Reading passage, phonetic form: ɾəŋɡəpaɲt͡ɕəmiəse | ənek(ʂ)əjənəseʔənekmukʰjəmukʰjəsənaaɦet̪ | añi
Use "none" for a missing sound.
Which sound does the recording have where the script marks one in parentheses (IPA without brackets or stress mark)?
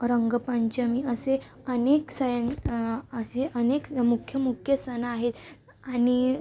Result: s